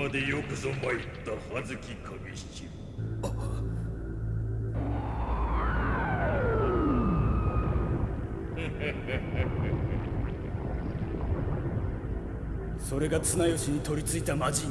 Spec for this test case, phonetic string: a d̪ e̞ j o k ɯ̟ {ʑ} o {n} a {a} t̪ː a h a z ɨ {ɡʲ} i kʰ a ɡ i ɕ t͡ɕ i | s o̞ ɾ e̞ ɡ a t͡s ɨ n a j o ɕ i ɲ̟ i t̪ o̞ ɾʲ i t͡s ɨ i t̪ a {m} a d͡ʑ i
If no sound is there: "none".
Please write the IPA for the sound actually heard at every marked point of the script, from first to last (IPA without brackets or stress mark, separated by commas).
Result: z, m, i, kʲ, m